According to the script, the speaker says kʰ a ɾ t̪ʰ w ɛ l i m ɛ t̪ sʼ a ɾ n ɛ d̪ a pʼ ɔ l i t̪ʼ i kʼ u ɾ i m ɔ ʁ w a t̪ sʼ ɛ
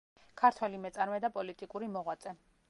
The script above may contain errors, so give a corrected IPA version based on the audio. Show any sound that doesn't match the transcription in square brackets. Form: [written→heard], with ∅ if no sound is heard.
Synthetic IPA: kʰ a ɾ t̪ʰ w ɛ l i m ɛ t̪ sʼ a ɾ [n→m] ɛ d̪ a pʼ ɔ l i t̪ʼ i kʼ u ɾ i m ɔ ʁ w a t̪ sʼ ɛ